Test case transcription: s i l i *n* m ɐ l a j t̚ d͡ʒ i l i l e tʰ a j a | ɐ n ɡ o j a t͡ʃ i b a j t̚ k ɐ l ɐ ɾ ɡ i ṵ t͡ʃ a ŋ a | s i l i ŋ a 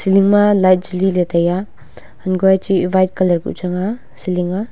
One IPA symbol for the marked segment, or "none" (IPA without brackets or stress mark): ŋ